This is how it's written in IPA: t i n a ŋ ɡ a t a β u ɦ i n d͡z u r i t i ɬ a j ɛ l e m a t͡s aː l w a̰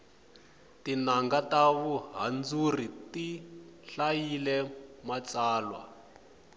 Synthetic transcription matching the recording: t i n a ŋ ɡ a t a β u ɦ a n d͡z u r i t i ɬ a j i l ɛ m a t͡s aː l w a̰